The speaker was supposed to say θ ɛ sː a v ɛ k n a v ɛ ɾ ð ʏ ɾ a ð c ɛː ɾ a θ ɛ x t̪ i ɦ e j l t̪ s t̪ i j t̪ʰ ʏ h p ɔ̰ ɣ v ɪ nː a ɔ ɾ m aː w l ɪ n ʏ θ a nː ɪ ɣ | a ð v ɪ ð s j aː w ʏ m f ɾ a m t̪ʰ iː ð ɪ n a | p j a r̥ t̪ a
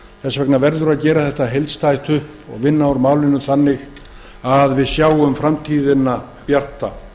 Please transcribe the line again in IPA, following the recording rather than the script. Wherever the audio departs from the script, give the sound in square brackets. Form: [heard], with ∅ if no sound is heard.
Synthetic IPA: θ ɛ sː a v ɛ k n a v ɛ ɾ ð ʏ ɾ a ð c ɛː ɾ a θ ɛ [h] t̪ [a] ɦ e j l t̪ s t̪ [a] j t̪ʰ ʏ h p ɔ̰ ɣ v ɪ nː a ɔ ɾ m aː w l ɪ n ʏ θ a nː ɪ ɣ | a ð v ɪ ð s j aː w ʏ m f ɾ a m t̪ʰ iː ð ɪ n a | p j a r̥ t̪ a